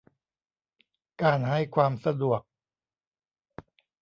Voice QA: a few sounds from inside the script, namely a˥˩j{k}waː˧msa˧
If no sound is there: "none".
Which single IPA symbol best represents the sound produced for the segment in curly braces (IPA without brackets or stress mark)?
kʰ